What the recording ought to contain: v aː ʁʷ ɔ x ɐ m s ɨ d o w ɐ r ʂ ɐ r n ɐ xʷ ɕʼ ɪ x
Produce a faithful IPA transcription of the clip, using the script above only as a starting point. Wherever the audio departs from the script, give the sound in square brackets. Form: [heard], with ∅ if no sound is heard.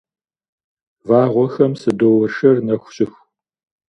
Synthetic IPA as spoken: v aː ʁʷ ɔ x ɐ m s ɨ d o w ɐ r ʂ ɐ r n ɐ xʷ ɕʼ ɪ x